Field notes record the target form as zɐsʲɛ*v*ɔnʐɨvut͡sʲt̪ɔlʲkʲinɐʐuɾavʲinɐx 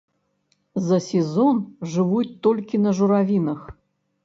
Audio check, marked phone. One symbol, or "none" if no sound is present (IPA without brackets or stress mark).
z